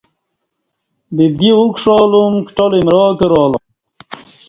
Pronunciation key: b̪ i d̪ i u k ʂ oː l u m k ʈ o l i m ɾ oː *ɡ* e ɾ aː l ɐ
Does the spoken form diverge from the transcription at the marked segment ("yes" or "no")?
yes